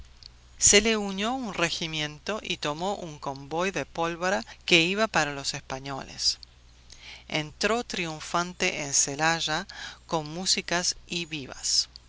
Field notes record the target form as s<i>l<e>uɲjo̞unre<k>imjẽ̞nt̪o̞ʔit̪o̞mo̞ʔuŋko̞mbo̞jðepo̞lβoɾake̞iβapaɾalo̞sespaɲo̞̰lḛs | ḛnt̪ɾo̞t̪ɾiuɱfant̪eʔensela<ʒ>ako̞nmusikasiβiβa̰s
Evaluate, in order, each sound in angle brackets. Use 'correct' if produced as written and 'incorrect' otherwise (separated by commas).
incorrect, correct, incorrect, correct